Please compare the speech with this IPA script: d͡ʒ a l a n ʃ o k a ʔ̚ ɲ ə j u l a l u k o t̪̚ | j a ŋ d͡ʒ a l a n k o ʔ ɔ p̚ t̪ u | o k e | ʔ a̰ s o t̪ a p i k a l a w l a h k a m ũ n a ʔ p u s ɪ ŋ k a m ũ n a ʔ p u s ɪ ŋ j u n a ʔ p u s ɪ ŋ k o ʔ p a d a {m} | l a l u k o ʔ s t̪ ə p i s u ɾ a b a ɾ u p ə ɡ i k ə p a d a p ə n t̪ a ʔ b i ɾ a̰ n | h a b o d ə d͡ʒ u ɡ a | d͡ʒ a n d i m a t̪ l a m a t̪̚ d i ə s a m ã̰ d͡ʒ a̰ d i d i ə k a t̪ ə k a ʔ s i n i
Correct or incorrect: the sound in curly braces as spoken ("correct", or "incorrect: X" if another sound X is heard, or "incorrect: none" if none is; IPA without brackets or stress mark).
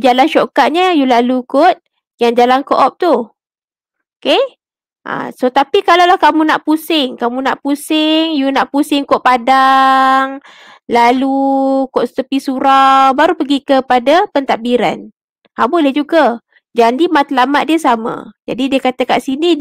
incorrect: ŋ